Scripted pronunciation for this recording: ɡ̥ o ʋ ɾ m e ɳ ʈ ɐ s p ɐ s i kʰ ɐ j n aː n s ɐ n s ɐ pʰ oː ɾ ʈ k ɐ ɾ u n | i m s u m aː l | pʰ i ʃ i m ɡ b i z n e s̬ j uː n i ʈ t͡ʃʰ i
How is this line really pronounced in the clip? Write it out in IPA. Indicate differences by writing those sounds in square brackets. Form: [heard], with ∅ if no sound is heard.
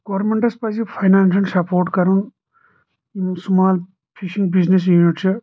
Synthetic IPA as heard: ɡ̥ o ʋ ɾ m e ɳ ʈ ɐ s p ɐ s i [pʰ] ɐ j n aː n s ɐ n s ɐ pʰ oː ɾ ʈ k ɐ ɾ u n | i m s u m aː l | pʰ i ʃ i [ŋ] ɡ b i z n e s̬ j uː n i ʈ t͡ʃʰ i